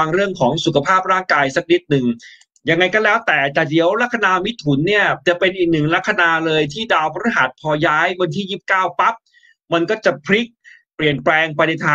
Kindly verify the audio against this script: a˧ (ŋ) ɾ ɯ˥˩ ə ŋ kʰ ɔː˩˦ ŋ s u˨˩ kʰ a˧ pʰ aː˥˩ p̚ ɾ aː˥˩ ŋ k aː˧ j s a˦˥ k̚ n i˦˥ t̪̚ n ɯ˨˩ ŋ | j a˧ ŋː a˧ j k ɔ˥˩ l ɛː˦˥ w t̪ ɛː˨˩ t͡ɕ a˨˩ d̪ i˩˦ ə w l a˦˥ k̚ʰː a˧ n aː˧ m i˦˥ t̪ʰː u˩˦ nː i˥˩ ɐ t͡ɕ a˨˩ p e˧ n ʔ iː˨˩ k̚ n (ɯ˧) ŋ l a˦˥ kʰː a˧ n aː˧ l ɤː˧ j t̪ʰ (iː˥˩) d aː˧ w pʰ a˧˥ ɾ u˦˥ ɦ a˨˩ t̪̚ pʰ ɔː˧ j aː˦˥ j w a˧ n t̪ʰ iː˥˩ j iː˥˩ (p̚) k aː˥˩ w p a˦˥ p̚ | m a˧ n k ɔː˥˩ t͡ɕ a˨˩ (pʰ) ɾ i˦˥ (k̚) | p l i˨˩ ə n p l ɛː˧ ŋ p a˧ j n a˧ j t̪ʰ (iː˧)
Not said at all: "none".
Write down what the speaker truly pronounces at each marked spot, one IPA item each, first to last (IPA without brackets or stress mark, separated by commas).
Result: ŋ, ɯ˨˩, iː˥˩, p̚, pʰ, k̚, aː˧